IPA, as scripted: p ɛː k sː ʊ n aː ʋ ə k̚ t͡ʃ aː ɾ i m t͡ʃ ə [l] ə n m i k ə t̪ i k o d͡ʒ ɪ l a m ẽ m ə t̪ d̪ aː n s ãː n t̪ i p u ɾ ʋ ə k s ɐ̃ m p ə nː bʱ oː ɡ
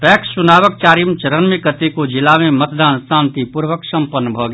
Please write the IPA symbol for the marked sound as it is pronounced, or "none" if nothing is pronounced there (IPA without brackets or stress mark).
ɾ